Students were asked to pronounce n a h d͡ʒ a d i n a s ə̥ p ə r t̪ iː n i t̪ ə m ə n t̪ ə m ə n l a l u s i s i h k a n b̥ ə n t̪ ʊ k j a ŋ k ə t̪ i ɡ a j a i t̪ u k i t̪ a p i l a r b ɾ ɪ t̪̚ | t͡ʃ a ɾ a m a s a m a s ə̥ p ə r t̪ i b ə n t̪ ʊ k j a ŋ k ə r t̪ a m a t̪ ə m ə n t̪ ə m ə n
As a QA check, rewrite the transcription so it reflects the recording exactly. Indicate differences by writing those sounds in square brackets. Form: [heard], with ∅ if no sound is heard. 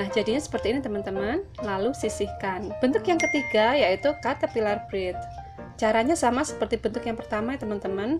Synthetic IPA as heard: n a h d͡ʒ a d i [ɲ] a s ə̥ p ə r t̪ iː n i t̪ ə m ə n t̪ ə m ə n l a l u s i s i h k a n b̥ ə n t̪ ʊ k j a ŋ k ə t̪ i ɡ a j a i t̪ u k [a] t̪ a p i l a r b ɾ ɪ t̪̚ | t͡ʃ a ɾ a [ɲ] a s a m a s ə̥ p ə r t̪ i b ə n t̪ ʊ k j a ŋ [p] ə r t̪ a m a t̪ ə m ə n t̪ ə m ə n